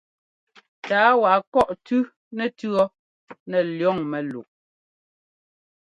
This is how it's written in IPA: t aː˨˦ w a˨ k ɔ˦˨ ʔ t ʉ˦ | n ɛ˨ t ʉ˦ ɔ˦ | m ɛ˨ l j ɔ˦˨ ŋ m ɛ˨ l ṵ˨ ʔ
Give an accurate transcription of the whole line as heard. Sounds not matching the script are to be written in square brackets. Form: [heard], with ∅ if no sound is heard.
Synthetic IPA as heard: t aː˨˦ w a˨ k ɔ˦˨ ʔ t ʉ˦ | n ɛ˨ t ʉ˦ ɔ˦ | [n] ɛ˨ l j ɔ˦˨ ŋ m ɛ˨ l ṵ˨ ʔ